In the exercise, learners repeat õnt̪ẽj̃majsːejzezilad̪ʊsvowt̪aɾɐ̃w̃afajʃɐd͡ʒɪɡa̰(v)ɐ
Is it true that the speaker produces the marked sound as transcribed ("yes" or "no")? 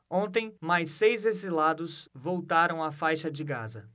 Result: no